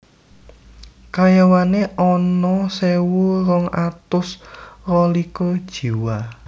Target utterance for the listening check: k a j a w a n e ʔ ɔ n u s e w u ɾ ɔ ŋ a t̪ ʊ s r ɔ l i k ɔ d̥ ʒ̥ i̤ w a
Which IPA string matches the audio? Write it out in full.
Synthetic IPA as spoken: k a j a w a n e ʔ ɔ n ɔ s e w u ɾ ɔ ŋ a t̪ ʊ s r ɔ l i k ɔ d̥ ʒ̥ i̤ w a